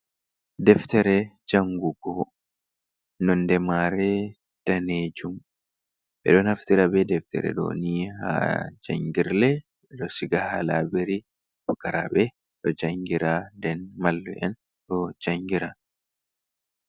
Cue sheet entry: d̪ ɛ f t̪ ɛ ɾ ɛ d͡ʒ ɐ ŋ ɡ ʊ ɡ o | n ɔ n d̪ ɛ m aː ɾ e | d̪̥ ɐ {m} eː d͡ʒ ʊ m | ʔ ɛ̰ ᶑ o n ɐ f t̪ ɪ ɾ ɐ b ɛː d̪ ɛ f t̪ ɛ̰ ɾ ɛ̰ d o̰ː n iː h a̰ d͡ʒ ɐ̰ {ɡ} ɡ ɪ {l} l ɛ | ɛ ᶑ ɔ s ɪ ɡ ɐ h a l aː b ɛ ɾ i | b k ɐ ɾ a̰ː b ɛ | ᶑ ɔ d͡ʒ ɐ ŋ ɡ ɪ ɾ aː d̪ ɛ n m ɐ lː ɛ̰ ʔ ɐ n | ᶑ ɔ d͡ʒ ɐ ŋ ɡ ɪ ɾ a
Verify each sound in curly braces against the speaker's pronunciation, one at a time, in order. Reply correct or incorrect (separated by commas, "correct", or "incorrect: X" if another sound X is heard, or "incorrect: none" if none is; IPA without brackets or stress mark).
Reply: incorrect: n, incorrect: ŋ, incorrect: ɾ